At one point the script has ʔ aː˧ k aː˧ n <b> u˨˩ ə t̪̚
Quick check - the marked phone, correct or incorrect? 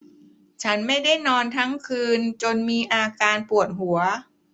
incorrect